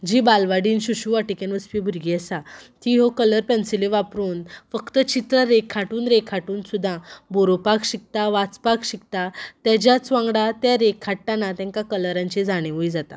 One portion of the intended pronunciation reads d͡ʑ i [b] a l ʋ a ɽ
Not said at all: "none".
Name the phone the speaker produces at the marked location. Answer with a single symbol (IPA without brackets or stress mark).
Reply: b